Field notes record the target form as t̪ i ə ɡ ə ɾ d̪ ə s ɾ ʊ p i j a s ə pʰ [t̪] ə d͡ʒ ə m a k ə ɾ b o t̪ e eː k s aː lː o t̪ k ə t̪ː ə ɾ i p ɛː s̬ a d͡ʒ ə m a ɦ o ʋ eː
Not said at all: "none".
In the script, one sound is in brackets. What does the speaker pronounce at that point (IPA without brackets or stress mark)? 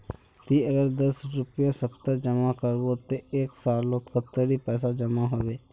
t̪